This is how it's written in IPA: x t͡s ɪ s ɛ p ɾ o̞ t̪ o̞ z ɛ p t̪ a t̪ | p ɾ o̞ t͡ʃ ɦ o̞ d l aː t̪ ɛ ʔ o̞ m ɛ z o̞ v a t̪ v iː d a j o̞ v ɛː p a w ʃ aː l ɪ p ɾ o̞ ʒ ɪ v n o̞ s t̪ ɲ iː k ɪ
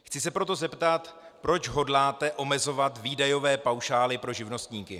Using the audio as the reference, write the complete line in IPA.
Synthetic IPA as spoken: x t͡s ɪ s ɛ p ɾ o̞ t̪ o̞ z ɛ p t̪ a t̪ | p ɾ o̞ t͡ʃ ɦ o̞ d l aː t̪ ɛ ʔ o̞ m ɛ z o̞ v a t̪ v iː d a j o̞ v ɛː p a w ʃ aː l ɪ p ɾ o̞ ʒ ɪ v n o̞ s t̪ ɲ iː k ɪ